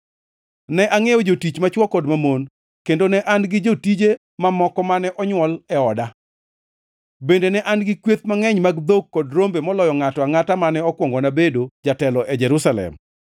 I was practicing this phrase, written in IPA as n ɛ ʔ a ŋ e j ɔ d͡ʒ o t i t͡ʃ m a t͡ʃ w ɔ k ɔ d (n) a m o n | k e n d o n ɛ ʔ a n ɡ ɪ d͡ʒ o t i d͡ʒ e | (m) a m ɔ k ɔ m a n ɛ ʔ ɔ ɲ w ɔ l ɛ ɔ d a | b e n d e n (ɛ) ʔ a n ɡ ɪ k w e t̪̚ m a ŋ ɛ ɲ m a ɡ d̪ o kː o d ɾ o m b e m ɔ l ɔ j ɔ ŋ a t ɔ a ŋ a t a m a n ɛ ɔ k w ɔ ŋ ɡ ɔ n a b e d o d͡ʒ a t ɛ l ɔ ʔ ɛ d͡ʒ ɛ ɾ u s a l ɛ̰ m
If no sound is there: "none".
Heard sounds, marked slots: m, m, ɛ

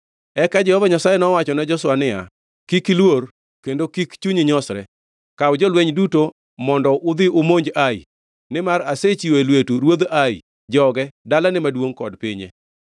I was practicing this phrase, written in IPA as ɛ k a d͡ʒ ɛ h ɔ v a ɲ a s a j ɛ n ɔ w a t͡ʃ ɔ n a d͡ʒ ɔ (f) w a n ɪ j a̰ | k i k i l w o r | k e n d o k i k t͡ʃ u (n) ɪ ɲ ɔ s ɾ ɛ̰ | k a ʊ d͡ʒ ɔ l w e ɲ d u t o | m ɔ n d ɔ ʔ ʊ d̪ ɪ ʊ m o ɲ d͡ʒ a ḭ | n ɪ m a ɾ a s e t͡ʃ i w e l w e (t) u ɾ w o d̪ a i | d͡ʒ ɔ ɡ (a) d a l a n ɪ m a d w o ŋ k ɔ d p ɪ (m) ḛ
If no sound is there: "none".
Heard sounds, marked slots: s, ɲ, t, ɛ, ɲ

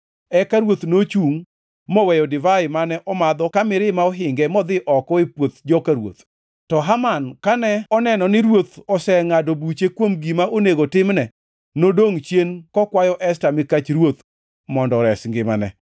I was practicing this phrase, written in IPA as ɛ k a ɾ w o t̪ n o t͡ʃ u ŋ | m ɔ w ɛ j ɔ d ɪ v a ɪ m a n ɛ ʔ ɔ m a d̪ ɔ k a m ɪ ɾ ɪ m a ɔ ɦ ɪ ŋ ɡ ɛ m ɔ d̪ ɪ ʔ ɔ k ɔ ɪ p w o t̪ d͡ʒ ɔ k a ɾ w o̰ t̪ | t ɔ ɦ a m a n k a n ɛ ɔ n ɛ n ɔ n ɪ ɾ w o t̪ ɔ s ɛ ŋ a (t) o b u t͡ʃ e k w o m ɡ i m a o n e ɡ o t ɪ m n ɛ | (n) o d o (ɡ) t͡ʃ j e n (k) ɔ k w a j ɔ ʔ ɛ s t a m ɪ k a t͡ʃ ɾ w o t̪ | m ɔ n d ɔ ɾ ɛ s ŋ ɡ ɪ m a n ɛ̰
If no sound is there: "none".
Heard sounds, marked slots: d, n, ŋ, k

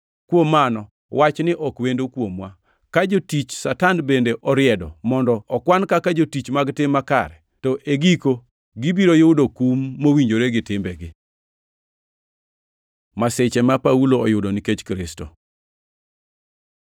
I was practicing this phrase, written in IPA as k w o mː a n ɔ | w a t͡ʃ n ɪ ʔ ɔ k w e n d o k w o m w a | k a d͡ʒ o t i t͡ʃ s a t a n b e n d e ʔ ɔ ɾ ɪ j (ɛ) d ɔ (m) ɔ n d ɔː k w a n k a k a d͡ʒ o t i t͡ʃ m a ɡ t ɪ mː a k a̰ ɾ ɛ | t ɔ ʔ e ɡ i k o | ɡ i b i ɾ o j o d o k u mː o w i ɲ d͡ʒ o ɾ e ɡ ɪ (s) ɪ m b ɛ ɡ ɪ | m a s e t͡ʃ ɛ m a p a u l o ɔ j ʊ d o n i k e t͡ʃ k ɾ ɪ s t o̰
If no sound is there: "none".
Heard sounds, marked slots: ɛ, m, t

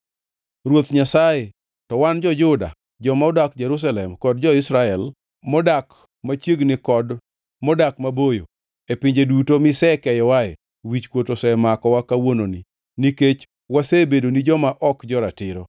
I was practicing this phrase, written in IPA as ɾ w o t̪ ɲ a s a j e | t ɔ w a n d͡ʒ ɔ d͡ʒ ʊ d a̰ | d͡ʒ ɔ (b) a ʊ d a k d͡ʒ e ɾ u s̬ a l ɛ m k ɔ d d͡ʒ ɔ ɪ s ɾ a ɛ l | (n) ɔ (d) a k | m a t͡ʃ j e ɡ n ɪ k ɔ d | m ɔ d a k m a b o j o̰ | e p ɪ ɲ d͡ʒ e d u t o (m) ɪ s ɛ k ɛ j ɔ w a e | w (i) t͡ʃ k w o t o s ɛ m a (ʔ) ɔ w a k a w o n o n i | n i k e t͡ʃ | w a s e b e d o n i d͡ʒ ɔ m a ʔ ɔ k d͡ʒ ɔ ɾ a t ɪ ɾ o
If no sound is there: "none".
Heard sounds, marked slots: m, m, d, m, i, k

